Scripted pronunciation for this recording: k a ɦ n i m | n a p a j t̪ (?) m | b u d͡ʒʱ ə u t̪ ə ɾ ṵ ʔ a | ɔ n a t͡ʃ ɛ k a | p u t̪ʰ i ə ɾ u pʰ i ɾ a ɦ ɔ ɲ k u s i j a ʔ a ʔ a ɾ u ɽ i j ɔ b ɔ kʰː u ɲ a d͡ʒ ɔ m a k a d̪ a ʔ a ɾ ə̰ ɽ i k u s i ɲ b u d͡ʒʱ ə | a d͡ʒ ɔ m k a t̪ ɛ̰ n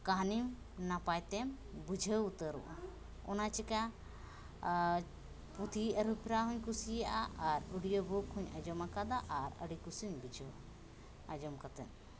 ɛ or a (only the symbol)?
ɛ